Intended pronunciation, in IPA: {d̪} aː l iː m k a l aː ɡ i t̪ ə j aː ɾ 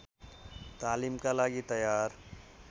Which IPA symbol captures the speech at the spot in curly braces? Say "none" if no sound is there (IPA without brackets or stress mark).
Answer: t̪